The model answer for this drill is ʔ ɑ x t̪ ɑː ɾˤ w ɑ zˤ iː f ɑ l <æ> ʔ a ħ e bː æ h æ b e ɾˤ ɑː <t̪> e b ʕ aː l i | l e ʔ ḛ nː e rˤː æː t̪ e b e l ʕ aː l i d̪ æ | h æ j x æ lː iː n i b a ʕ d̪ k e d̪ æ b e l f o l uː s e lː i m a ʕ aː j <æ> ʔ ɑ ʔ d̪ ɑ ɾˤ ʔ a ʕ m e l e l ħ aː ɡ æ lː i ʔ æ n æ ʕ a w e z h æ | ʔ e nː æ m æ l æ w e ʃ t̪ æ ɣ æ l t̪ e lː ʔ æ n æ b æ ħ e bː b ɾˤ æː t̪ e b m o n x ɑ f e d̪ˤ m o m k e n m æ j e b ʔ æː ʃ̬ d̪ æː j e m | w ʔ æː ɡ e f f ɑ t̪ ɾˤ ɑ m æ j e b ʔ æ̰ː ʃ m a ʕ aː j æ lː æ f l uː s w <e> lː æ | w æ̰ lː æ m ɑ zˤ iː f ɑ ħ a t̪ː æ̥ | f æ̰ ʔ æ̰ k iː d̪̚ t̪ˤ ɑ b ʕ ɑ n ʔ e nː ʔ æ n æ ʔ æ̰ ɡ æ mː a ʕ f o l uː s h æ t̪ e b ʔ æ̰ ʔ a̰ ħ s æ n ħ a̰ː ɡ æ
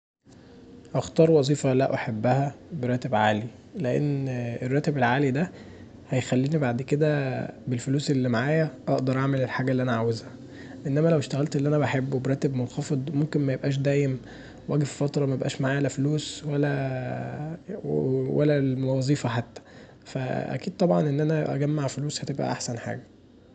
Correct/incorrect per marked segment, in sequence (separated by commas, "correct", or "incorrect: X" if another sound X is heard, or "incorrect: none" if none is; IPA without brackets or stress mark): correct, correct, correct, incorrect: æ